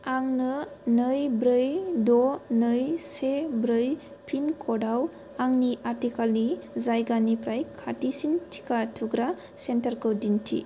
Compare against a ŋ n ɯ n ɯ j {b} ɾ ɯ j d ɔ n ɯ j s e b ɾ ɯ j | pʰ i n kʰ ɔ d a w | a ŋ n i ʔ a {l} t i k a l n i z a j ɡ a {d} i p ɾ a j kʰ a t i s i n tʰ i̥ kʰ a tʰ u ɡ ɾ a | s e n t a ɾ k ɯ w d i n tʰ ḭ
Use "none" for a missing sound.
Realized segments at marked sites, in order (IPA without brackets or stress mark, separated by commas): b, ɾ, n